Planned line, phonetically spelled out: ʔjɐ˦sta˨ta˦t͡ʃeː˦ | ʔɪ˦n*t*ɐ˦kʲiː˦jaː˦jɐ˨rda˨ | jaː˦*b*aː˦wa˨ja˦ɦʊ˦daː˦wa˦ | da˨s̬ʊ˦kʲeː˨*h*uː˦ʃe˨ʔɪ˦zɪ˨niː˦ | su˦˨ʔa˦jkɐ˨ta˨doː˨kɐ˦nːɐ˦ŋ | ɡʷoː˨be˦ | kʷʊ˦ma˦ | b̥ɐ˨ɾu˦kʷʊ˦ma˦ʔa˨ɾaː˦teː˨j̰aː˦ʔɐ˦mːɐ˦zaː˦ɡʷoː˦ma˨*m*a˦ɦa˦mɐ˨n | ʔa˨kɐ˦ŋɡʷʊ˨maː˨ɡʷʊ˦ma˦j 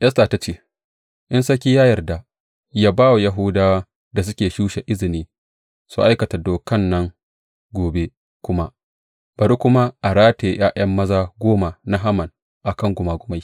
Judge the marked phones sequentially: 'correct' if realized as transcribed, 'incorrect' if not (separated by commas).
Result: incorrect, correct, incorrect, incorrect